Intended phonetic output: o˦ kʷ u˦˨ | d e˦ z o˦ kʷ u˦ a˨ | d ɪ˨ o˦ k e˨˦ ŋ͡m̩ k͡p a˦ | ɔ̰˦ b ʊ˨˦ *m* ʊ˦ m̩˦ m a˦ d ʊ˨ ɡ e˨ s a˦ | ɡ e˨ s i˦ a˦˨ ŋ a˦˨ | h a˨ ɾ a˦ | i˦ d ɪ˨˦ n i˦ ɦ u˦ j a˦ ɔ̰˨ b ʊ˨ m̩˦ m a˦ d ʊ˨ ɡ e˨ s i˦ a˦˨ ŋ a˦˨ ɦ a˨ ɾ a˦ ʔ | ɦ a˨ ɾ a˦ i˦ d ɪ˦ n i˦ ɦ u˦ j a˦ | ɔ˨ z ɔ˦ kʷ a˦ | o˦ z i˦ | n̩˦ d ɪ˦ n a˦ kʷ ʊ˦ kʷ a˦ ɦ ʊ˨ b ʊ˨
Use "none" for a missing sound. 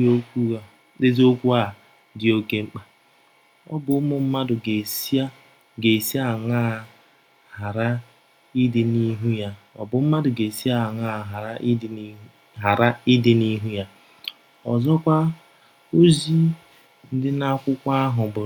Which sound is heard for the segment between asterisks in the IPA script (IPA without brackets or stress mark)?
m